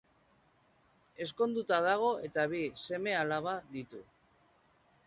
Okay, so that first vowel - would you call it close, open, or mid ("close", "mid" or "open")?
mid